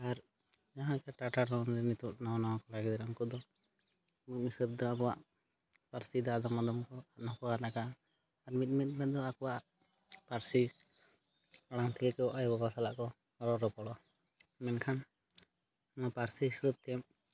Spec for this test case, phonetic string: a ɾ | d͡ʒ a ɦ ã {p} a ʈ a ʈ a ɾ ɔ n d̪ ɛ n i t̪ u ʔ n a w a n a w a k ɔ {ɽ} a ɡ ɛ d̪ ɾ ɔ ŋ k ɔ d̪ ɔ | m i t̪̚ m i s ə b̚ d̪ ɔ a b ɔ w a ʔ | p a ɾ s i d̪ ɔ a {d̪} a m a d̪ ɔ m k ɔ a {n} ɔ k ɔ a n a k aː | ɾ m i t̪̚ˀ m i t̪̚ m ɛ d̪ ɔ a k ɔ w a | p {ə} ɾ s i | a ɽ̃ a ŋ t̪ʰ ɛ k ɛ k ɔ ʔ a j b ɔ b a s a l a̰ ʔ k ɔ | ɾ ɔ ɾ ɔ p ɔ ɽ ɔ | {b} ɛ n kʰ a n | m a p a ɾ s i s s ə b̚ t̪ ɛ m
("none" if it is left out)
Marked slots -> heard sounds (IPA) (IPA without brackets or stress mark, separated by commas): k, l, d̪, n, a, m